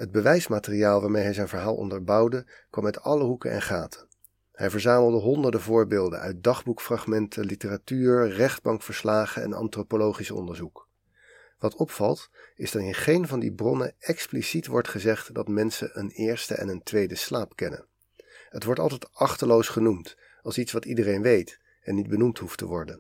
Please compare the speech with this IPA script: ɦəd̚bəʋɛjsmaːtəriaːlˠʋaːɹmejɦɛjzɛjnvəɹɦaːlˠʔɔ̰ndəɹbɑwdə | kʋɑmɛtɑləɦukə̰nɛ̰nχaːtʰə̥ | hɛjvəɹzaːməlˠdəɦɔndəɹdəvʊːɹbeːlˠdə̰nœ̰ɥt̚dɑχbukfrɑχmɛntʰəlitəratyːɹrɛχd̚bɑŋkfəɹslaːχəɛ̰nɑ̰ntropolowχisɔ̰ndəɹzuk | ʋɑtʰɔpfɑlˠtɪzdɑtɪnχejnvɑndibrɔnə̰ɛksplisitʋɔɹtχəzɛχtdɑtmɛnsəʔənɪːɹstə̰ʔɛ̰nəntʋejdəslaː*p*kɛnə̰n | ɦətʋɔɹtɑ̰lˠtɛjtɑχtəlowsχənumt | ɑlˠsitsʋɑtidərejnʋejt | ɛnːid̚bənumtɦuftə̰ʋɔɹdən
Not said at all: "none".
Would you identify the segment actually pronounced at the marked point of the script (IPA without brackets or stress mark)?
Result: p